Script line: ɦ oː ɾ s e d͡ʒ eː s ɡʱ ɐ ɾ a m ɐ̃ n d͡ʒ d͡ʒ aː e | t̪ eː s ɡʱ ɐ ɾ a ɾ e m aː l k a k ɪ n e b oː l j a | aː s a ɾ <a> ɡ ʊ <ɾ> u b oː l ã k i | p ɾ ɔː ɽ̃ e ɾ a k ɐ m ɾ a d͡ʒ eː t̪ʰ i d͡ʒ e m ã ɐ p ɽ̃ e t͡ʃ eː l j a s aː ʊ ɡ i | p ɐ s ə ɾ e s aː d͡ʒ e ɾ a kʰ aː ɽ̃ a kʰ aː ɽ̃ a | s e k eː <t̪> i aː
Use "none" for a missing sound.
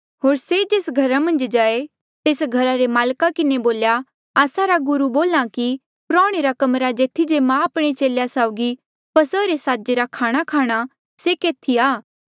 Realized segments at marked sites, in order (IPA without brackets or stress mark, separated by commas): a, ɾ, t̪ʰ